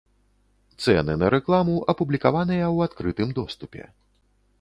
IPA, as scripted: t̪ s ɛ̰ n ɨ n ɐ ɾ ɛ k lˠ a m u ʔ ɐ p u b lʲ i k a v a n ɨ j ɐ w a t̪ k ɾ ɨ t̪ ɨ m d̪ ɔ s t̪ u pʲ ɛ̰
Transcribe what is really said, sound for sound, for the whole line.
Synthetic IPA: t̪ s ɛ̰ n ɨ n ɐ ɾ ɛ k lˠ a m u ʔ ɐ p u b lʲ i k a v a n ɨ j ɐ w a t̪ k ɾ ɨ t̪ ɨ m d̪ ɔ s t̪ u pʲ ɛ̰